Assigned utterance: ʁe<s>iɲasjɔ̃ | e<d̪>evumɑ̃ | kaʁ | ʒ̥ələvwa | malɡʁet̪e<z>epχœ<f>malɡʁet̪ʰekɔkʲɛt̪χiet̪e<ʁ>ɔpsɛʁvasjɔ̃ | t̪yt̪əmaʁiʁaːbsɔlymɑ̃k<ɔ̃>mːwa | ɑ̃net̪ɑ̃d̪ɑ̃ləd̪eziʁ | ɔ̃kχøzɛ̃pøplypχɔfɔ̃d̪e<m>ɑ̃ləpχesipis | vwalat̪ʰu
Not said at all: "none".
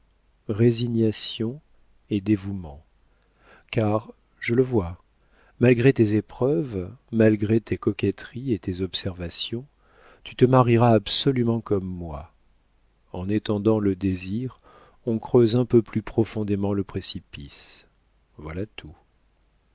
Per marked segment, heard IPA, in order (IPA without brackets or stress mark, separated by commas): z, d̪, z, v, z, ɔ, m